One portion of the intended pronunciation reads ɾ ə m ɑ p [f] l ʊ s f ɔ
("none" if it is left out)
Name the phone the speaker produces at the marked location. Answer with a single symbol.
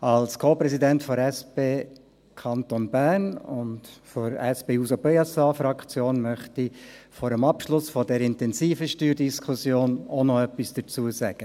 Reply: ʃ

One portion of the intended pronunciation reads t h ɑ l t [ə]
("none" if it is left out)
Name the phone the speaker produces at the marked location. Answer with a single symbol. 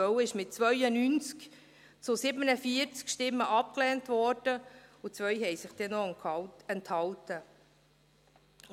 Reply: ə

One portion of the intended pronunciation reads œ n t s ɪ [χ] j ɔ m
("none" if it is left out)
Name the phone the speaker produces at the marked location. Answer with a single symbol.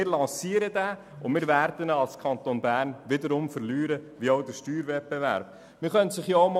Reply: χ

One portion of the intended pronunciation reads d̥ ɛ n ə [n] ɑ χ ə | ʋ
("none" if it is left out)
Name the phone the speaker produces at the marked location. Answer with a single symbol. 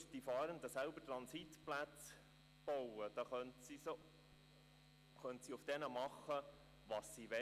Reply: m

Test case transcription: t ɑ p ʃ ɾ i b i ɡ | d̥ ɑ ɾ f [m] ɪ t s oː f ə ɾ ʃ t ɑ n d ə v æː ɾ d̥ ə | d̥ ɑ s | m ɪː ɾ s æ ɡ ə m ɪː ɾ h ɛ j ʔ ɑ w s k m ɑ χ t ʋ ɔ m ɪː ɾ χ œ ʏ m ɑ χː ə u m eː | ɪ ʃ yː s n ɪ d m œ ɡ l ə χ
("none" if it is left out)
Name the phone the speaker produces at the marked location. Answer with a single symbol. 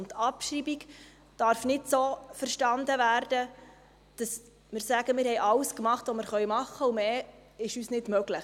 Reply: n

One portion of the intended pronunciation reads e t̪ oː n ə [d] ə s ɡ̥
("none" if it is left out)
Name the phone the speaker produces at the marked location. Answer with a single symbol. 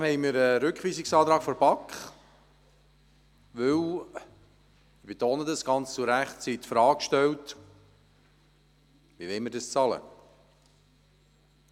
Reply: d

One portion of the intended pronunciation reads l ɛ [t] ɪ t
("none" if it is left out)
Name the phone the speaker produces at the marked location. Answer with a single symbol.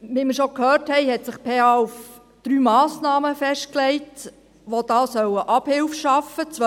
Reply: none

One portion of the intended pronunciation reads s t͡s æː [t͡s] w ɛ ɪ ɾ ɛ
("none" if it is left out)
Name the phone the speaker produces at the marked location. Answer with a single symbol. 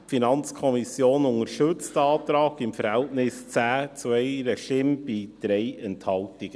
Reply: t͡s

